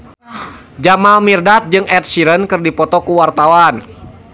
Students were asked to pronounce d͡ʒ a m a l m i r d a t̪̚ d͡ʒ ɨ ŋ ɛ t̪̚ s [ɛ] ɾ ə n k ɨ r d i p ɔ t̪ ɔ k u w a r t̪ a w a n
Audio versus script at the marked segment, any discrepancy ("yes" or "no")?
yes